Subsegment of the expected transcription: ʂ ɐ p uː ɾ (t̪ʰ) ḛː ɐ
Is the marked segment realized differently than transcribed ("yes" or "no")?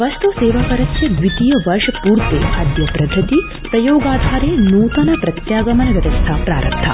yes